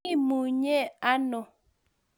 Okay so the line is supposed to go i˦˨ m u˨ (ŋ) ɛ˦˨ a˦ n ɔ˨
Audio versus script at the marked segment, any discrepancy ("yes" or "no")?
yes